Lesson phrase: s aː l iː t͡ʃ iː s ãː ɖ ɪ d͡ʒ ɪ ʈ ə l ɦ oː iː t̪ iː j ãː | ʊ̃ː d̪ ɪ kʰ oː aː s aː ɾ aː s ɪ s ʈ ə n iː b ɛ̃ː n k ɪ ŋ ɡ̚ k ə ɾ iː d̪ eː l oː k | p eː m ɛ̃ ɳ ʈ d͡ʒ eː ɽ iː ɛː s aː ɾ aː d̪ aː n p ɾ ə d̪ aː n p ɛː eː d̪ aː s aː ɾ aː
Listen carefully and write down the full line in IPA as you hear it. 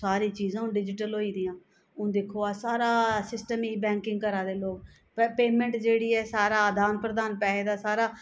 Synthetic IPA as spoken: s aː ɾ iː t͡ʃ iː z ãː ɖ ɪ d͡ʒ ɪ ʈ ə l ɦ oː iː d̪ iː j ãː | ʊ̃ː d̪ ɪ kʰ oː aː s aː ɾ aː s ɪ s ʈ ə m iː b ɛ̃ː ŋ k ɪ ŋ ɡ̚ k ə ɾ aː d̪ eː l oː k | p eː m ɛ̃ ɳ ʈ d͡ʒ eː ɽ iː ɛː s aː ɾ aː d̪ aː n p ɾ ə d̪ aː n p ɛː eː d̪ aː s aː ɾ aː